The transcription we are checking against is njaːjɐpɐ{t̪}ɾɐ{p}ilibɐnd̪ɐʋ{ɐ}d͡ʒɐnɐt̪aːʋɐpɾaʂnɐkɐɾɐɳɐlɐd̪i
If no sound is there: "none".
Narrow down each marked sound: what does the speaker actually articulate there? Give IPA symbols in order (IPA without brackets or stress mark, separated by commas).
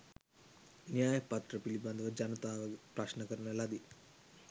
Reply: t̪, p, ɐ